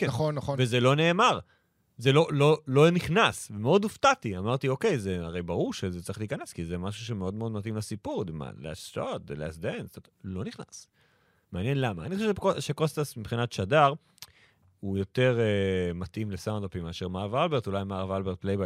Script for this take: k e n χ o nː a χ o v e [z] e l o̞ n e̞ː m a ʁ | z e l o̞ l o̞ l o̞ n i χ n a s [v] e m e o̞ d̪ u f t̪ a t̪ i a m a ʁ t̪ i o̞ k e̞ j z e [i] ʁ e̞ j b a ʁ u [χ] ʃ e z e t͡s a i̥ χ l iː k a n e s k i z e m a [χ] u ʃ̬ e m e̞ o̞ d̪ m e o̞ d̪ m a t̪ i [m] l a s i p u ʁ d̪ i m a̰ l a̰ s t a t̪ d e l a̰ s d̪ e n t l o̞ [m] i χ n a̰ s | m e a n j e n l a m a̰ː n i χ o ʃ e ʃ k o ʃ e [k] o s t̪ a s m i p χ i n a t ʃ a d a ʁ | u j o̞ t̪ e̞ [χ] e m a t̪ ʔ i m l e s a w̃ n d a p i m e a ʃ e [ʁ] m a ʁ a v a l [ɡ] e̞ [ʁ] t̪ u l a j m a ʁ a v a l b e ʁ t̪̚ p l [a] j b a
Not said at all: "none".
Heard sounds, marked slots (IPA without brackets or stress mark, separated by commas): z, v, a, ʁ, ʃ, m, n, k, ʁ, ʁ, b, ʁ, e